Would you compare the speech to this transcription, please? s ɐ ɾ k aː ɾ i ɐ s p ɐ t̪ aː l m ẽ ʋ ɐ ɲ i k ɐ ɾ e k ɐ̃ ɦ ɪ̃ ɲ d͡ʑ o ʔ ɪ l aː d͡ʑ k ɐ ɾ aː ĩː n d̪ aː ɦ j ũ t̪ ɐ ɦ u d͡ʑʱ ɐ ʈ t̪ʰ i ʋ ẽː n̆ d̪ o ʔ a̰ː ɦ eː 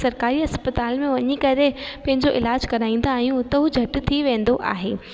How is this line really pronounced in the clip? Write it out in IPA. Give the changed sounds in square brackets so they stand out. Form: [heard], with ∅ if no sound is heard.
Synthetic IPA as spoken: s ɐ ɾ k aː ɾ i ɐ s p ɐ t̪ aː l m ẽ ʋ ɐ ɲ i k ɐ ɾ e [p] ɐ̃ ɦ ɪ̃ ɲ d͡ʑ o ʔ ɪ l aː d͡ʑ k ɐ ɾ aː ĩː n d̪ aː ɦ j ũ t̪ ɐ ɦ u d͡ʑʱ ɐ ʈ t̪ʰ i ʋ ẽː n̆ d̪ o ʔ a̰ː ɦ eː